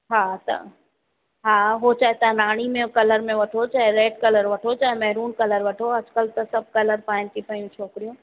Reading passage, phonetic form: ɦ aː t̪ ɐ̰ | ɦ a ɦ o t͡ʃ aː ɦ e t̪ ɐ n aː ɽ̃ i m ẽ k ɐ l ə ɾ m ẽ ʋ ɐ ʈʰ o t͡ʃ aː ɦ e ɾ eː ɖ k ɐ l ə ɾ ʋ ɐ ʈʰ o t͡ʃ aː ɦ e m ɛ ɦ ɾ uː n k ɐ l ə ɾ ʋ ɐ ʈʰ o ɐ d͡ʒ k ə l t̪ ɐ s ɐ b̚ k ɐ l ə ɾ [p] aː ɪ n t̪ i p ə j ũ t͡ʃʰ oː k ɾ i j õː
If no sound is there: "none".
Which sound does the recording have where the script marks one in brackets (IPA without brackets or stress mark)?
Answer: p